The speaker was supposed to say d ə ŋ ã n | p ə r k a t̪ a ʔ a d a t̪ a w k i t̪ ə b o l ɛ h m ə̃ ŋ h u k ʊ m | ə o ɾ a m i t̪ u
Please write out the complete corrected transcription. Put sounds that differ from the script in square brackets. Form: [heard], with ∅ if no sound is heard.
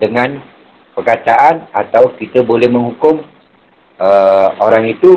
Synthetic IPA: d ə ŋ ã n | p ə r k a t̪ a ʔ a [n] a t̪ a w k i t̪ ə b o l ɛ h m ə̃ ŋ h u k ʊ m | ə o ɾ a [ŋ] i t̪ u